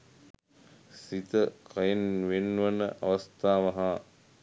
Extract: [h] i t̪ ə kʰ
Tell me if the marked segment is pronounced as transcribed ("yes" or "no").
no